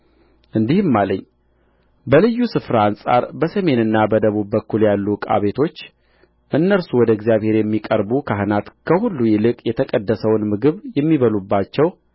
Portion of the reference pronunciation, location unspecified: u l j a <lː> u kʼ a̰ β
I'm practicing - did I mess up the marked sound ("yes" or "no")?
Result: no